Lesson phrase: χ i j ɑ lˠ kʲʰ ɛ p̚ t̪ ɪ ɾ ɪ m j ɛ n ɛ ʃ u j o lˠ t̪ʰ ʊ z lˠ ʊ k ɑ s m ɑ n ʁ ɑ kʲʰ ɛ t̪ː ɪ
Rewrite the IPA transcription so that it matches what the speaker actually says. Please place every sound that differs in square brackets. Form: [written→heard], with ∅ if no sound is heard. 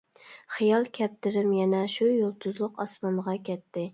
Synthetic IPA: χ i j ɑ lˠ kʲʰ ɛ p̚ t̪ ɪ ɾ ɪ m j ɛ n ɛ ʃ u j o lˠ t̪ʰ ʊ z lˠ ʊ [k→q] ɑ s m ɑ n ʁ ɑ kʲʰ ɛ t̪ː ɪ